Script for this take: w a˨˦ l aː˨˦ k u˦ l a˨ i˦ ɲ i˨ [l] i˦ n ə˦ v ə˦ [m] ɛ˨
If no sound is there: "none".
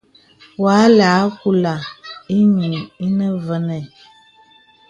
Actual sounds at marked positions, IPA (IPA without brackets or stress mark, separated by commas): none, n